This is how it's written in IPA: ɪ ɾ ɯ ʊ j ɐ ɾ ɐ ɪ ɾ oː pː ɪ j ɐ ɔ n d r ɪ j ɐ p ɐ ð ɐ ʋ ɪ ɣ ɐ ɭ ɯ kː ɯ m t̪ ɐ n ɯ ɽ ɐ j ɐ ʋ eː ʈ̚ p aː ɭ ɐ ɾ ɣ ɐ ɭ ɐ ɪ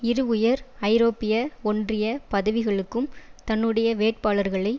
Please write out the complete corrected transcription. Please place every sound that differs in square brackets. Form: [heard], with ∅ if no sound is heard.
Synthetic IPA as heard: ɪ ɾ ɯ ʊ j ɐ ɾ ɐ ɪ ɾ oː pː ɪ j ɐ ɔ n d r ɪ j ɐ p ɐ ð ɐ ʋ ɪ ɣ ɐ ɭ ɯ kː ɯ m t̪ ɐ [nː] ɯ ɽ ɐ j ɐ ʋ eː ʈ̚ p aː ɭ ɐ ɾ ɣ ɐ ɭ ɐ ɪ